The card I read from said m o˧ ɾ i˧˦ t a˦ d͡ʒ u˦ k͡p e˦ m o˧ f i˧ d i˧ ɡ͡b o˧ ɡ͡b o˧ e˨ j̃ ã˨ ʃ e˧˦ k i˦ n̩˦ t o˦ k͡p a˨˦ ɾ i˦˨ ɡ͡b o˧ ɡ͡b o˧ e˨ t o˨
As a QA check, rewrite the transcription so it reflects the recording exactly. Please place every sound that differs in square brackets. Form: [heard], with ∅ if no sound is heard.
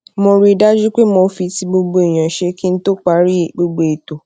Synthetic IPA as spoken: m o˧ ɾ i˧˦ [d] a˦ d͡ʒ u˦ k͡p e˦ m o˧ f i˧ [t] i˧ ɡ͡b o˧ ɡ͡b o˧ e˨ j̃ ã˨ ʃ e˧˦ k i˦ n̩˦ t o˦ k͡p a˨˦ ɾ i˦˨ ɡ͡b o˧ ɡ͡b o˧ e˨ t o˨

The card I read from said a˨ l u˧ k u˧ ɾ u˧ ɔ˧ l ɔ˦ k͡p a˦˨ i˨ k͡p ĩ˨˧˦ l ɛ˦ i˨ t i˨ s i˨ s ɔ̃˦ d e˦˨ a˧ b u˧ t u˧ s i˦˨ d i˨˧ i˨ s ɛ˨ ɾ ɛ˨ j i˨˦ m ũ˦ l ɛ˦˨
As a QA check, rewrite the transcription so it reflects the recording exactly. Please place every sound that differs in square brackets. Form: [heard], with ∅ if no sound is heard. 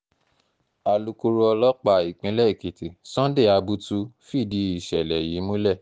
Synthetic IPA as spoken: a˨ l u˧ k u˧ ɾ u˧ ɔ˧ l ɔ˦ k͡p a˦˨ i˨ k͡p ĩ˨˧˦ l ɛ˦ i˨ [k] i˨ [t] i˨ s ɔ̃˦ d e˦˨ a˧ b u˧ t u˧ [f] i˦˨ d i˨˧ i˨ [ʃ] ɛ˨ [l] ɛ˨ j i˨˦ m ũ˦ l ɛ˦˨

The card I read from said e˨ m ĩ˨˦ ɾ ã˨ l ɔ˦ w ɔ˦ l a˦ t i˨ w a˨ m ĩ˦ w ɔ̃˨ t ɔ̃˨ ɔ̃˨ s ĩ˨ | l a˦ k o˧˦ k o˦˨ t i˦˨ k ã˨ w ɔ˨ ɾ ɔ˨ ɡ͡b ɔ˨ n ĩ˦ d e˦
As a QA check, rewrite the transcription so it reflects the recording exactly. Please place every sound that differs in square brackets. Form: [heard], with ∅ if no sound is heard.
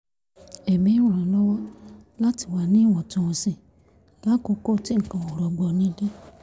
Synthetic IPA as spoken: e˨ m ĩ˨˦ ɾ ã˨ l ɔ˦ w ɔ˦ l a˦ t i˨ w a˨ [n] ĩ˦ w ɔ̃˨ t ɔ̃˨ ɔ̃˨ s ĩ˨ | l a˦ k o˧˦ k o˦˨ t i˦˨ k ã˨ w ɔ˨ ɾ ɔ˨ ɡ͡b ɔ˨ n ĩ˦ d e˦

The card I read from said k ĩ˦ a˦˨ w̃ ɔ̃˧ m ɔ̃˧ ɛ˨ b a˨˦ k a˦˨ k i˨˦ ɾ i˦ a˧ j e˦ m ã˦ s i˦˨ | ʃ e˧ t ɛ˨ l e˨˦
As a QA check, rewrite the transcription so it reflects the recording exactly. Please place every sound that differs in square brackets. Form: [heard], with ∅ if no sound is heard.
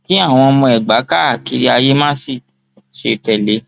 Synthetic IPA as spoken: k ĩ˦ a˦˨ w̃ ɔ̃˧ m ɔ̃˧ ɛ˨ [ɡ͡b] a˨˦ k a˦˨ k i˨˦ ɾ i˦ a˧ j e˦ m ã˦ s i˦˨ | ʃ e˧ t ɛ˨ l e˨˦

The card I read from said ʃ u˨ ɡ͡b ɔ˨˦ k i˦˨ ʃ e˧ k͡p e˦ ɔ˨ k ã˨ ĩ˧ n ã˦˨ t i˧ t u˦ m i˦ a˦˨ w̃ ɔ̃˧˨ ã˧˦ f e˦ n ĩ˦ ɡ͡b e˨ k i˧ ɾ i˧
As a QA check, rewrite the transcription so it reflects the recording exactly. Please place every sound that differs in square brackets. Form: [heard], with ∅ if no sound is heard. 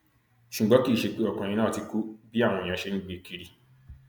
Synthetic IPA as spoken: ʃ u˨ ɡ͡b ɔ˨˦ k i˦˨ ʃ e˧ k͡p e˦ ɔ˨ k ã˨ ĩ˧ n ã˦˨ t i˧ [k] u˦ [b] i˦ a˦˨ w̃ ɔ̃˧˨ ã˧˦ [ʃ] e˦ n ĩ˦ ɡ͡b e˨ k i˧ ɾ i˧

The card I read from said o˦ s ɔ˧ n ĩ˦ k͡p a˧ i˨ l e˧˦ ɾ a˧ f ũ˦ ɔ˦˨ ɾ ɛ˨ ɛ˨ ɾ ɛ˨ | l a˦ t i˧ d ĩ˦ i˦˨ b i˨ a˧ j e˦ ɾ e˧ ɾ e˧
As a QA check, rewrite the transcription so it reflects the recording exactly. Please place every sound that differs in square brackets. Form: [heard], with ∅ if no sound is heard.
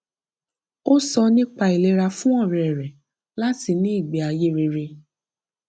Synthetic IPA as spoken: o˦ s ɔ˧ n ĩ˦ k͡p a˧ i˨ l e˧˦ ɾ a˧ f ũ˦ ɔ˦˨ ɾ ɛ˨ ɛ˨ ɾ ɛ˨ | l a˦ t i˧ [n] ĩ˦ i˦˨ [ɡ͡b] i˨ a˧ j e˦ ɾ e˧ ɾ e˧

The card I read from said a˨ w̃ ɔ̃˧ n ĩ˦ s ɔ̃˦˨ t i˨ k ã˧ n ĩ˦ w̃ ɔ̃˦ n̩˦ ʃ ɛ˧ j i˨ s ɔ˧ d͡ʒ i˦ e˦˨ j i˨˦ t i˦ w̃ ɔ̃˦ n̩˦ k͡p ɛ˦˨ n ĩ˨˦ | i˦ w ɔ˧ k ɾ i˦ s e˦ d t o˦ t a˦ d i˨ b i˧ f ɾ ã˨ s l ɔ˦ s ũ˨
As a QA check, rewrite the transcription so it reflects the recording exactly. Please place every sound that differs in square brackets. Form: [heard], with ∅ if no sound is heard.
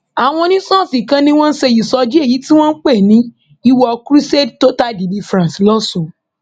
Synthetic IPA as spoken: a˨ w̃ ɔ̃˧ n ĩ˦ s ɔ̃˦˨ [s] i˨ k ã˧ n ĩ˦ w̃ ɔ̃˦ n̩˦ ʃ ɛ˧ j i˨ s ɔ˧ d͡ʒ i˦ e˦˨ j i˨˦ t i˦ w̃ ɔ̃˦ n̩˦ k͡p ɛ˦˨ n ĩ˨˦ | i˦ w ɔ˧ k ɾ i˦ s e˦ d t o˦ t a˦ d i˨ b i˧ f ɾ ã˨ s l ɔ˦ s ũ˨

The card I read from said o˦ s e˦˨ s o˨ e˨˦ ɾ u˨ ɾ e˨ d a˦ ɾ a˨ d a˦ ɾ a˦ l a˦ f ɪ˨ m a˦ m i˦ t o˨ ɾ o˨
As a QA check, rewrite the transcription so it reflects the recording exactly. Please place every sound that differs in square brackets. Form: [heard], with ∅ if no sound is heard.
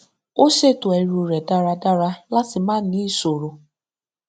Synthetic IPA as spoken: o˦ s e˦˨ [t] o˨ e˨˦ ɾ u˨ ɾ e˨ d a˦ ɾ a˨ d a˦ ɾ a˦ l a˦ [s] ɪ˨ m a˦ [n] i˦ [s] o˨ ɾ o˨

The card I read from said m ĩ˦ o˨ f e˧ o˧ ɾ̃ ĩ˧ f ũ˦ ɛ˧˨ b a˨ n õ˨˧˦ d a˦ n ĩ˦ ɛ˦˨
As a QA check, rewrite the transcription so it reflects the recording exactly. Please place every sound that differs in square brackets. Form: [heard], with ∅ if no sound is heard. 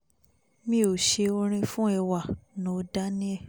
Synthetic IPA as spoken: m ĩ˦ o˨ [ʃ] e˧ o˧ ɾ̃ ĩ˧ f ũ˦ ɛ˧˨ [w] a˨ n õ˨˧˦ d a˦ n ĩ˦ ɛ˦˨

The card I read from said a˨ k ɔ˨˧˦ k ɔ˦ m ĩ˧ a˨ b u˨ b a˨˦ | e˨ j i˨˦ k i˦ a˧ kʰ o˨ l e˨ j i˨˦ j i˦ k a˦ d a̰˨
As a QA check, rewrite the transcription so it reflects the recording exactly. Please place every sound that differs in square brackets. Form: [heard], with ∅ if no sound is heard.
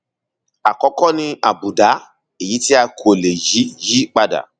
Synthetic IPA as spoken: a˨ k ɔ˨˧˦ k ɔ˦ [n] ĩ˧ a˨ b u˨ [d] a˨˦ | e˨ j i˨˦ [t] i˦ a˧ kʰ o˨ l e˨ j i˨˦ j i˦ [k͡p] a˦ d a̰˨

